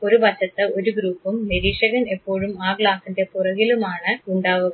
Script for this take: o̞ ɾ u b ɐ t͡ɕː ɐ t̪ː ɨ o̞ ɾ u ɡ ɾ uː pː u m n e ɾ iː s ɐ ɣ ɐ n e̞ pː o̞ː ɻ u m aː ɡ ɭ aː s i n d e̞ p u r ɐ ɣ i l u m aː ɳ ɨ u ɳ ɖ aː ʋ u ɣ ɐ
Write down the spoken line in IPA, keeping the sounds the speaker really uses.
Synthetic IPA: o̞ ɾ u b ɐ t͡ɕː ɐ t̪ː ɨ o̞ ɾ u ɡ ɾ uː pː u m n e ɾ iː ʂ ɐ ɣ ɐ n e̞ pː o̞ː ɻ u m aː ɡ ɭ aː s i n d e̞ p u r ɐ ɣ i l u m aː ɳ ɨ u ɳ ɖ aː ʋ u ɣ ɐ